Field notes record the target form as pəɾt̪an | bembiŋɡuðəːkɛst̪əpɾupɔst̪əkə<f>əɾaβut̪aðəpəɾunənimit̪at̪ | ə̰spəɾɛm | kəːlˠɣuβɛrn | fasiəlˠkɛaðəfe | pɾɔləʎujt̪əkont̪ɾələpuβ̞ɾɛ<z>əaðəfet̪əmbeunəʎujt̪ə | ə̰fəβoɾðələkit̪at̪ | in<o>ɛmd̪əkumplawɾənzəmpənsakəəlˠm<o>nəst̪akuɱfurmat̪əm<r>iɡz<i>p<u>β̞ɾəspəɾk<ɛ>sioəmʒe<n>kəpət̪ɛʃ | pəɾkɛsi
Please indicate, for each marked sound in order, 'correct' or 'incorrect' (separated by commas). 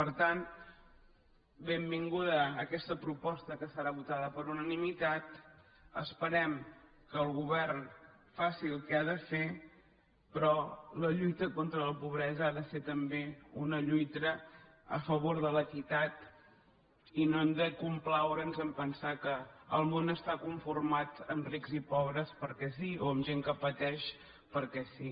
incorrect, correct, correct, correct, correct, correct, incorrect, correct, incorrect